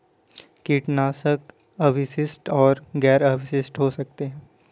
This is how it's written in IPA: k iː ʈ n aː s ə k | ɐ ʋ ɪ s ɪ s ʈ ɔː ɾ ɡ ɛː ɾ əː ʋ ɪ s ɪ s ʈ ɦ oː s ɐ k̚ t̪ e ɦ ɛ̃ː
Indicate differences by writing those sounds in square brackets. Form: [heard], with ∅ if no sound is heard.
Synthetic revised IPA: k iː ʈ n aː s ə k | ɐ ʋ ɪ s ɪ s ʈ ɔː ɾ ɡ ɛː ɾ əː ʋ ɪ s ɪ s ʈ ɦ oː s ɐ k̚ t̪ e ɦ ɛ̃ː